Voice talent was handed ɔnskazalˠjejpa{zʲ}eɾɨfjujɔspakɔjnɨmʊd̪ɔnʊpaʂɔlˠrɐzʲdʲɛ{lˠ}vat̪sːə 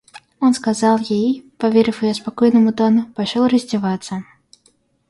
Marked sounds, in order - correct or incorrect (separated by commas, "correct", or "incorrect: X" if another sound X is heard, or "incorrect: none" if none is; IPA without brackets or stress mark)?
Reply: incorrect: vʲ, incorrect: none